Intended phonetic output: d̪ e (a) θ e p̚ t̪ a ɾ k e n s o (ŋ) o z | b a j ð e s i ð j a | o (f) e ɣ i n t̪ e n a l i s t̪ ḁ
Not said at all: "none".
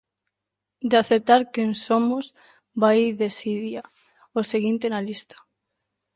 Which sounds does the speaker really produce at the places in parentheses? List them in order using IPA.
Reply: a, m, s

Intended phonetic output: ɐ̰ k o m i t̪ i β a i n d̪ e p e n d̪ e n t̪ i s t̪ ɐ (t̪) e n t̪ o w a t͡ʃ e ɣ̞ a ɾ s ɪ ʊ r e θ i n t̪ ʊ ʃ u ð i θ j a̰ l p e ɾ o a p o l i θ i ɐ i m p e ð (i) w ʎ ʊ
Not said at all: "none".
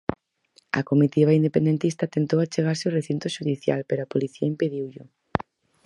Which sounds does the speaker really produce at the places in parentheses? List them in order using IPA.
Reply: t̪, i

